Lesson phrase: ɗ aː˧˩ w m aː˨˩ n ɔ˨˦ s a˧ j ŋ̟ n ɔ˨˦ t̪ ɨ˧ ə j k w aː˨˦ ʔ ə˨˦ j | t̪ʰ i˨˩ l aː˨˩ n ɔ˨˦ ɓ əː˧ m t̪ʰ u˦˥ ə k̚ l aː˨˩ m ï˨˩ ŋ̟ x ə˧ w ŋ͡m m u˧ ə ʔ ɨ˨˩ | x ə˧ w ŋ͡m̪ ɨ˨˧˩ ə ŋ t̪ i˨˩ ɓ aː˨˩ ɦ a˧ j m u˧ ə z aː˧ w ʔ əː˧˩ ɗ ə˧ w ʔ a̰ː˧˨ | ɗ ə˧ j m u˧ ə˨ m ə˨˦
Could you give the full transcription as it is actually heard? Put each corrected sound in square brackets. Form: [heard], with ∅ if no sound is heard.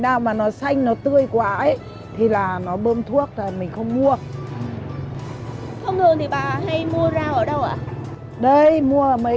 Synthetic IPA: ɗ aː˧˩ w m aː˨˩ n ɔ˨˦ s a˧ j ŋ̟ n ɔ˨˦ t̪ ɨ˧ ə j k w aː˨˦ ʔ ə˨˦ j | t̪ʰ i˨˩ l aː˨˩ n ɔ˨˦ ɓ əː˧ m t̪ʰ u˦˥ ə k̚ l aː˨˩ m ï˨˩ ŋ̟ x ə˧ w ŋ͡m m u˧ ə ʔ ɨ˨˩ | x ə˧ w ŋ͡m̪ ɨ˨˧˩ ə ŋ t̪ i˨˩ ɓ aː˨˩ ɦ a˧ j m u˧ ə z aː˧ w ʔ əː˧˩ ɗ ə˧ w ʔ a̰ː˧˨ | ɗ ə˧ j m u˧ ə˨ m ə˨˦